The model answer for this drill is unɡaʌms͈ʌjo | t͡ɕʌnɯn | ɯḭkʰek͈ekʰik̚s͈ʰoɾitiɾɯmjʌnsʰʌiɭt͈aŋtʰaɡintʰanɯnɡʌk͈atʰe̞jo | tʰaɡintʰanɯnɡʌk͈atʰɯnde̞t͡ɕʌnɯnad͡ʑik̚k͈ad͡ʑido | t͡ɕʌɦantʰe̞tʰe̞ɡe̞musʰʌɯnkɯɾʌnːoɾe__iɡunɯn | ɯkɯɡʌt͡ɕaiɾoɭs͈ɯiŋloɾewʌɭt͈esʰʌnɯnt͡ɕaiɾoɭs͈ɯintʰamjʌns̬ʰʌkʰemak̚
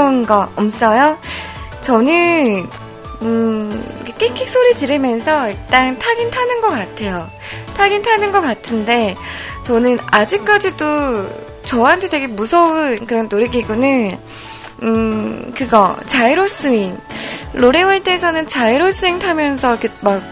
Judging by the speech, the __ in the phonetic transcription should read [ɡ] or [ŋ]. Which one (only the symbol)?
ɡ